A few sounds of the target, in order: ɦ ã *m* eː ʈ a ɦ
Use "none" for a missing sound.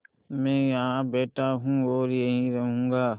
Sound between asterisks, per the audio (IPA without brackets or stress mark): b